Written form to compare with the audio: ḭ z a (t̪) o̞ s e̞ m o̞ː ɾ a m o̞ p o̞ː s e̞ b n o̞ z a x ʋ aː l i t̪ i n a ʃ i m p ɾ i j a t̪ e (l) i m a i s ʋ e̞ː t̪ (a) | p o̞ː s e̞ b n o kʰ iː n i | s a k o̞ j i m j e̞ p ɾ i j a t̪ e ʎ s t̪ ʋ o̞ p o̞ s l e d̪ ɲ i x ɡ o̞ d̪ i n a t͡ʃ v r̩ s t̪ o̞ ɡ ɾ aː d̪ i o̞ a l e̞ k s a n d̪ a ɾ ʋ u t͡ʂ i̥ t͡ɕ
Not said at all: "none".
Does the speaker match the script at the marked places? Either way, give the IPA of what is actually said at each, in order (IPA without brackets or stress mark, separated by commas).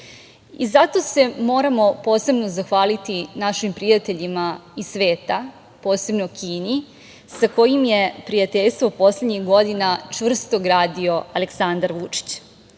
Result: t̪, ʎ, a